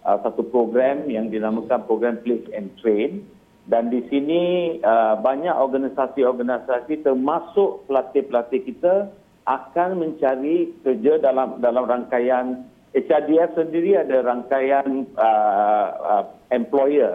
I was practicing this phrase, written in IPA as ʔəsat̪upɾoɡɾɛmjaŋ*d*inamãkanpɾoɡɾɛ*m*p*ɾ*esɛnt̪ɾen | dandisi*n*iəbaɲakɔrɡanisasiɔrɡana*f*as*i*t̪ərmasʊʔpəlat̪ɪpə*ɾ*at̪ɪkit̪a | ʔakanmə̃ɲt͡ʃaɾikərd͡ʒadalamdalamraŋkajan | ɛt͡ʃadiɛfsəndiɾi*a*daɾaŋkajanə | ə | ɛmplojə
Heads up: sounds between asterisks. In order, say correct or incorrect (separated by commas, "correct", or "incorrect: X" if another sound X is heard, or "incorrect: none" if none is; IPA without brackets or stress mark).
correct, correct, incorrect: l, correct, incorrect: s, correct, incorrect: l, correct